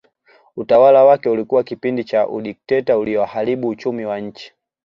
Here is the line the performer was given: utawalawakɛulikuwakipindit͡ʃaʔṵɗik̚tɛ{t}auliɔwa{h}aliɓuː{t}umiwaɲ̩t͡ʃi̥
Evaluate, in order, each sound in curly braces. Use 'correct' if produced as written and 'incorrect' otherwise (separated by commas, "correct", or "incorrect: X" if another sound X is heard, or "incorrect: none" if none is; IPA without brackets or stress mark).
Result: correct, correct, incorrect: t͡ʃ